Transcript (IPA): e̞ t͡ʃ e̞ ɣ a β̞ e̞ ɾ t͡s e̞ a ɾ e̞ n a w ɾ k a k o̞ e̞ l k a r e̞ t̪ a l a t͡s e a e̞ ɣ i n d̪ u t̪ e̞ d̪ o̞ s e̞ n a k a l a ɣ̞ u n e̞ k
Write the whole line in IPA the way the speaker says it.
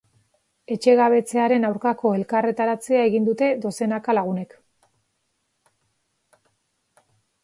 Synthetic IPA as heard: e̞ t͡ʃ e̞ ɣ a β̞ e̞ t͡s e̞ a ɾ e̞ n a w ɾ k a k o̞ e̞ l k a r e̞ t̪ a ɾ a t͡s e a e̞ ɣ i n d̪ u t̪ e̞ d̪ o̞ s e̞ n a k a l a ɣ̞ u n e̞ k